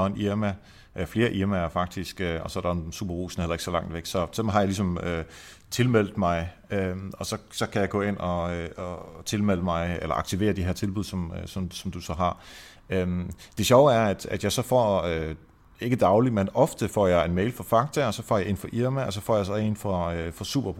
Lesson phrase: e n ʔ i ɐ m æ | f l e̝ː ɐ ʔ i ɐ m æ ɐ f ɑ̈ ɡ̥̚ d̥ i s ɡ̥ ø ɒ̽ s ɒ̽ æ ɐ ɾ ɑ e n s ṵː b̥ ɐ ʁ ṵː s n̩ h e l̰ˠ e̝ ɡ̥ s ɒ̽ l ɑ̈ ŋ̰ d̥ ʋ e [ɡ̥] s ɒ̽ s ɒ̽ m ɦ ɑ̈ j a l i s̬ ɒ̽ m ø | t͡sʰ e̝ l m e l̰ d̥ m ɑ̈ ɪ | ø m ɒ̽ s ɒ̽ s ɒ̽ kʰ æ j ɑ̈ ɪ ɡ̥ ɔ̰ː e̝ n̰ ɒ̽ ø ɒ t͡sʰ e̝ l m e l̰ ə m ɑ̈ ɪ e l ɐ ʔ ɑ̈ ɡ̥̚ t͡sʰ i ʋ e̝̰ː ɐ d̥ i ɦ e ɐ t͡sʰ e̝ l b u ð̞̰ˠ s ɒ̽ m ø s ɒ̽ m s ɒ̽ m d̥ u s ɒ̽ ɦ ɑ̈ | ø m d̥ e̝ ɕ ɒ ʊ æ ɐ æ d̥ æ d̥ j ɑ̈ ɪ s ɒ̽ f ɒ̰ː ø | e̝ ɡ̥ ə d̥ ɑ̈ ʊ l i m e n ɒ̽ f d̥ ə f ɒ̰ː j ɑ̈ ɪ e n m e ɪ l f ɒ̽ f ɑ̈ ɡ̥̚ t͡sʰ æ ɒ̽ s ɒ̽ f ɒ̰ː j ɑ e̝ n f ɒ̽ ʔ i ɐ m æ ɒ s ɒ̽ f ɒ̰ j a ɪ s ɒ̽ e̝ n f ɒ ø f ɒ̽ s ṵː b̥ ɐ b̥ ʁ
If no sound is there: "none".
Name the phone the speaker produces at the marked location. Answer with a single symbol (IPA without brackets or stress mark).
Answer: ɡ̥